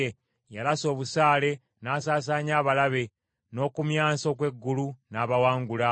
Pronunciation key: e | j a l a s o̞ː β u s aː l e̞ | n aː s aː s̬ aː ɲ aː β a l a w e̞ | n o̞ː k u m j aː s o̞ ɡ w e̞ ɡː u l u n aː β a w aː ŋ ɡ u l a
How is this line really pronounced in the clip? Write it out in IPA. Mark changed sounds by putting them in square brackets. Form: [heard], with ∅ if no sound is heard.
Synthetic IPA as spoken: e | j a l a s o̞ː β u s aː l e̞ | n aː s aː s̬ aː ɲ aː β a l a [β] e̞ | n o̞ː k u m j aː s o̞ [k] w e̞ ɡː u l u n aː β a w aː ŋ ɡ u l a